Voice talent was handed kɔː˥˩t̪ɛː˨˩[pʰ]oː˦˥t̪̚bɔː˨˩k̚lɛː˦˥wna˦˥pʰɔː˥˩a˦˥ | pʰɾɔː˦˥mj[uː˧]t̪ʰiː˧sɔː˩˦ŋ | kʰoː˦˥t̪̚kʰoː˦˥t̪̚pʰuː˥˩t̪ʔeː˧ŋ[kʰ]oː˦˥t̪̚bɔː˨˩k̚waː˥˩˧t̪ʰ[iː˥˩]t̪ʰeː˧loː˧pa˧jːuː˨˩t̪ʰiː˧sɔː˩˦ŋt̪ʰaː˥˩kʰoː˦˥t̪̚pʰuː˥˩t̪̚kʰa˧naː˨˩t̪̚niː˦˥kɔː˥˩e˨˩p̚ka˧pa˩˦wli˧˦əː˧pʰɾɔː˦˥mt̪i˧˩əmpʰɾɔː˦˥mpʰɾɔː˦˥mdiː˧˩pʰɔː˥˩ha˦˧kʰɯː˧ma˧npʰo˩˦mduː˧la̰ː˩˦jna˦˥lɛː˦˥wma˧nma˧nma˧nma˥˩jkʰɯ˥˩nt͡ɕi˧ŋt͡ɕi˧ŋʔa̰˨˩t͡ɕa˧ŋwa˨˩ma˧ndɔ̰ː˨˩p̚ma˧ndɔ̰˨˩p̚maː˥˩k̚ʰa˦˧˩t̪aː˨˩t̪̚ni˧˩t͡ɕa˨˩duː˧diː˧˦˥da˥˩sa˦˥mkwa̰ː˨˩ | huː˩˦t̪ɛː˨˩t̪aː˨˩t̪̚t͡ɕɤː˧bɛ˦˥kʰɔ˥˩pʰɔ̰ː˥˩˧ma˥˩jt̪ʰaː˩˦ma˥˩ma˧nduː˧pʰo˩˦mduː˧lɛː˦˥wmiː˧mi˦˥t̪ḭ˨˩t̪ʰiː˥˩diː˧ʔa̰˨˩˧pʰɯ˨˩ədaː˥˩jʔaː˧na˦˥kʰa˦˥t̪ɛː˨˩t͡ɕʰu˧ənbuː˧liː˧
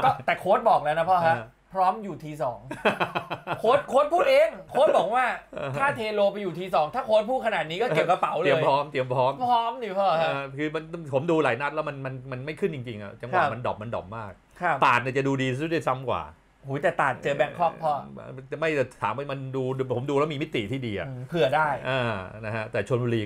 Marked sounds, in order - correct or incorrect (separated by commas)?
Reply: incorrect, incorrect, correct, incorrect